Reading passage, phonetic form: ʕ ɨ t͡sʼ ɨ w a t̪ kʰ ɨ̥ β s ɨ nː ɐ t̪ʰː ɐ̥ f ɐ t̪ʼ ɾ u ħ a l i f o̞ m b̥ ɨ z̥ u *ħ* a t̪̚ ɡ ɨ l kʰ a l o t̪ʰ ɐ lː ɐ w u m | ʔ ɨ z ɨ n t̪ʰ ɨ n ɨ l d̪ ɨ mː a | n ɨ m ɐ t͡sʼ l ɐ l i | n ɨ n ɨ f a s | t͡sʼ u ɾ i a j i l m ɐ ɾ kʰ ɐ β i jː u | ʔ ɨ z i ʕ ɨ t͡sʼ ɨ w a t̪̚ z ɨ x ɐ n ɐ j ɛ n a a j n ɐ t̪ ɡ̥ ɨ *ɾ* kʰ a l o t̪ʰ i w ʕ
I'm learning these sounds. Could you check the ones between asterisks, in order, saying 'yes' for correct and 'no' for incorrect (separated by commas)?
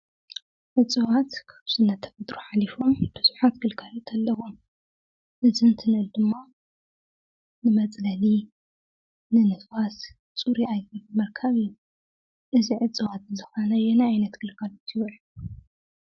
yes, no